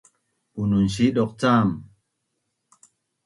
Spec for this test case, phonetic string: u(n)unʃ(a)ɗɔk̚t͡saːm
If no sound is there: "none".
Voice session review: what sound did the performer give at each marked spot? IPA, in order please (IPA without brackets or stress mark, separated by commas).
n, i